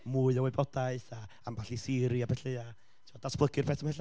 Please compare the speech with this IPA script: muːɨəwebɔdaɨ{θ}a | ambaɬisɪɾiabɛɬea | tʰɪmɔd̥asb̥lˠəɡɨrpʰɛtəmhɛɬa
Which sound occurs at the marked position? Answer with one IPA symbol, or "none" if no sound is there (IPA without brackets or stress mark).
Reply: θ